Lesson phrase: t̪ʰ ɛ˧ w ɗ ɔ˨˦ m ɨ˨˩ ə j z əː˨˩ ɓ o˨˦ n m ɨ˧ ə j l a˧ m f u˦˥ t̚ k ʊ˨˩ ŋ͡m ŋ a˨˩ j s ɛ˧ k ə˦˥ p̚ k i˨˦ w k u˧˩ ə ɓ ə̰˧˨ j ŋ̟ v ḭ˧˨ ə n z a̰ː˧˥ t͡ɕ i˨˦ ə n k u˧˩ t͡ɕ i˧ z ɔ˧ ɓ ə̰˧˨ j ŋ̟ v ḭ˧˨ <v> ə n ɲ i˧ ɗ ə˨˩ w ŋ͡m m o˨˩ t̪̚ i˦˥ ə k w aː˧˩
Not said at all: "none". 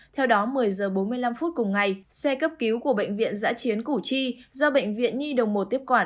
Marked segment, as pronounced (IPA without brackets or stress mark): none